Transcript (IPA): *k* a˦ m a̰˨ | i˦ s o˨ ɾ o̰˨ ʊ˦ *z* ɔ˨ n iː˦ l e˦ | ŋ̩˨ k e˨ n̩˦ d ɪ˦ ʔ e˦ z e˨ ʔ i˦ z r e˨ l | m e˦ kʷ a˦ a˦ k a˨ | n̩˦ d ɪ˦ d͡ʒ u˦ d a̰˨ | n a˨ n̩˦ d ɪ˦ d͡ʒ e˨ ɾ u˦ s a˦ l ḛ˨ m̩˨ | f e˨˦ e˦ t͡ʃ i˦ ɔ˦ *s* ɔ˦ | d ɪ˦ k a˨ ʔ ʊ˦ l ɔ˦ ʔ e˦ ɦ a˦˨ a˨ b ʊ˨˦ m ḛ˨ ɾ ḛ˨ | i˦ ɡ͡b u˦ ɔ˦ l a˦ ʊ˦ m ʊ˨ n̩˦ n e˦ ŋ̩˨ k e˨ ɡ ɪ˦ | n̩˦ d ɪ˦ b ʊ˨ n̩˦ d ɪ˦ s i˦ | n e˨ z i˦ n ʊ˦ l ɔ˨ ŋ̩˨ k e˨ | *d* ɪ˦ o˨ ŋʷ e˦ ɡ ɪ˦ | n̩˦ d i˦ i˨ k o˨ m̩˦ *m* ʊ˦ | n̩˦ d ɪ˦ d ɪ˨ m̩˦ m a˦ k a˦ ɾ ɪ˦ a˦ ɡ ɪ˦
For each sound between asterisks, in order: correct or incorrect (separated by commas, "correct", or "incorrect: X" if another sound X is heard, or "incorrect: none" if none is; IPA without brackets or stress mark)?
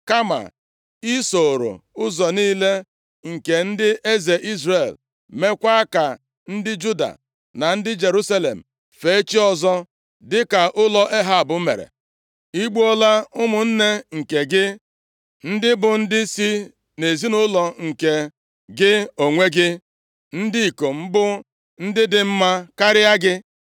correct, correct, incorrect: z, incorrect: ɡ, incorrect: b